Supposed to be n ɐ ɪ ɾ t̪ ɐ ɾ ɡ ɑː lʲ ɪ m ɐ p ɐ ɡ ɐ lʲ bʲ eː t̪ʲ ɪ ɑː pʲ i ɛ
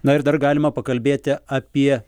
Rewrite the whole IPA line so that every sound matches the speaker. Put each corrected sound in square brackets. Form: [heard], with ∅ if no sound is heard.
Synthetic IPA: n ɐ ɪ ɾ [d̪] ɐ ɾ ɡ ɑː lʲ ɪ m ɐ p ɐ [k] ɐ lʲ bʲ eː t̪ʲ ɪ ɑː pʲ i ɛ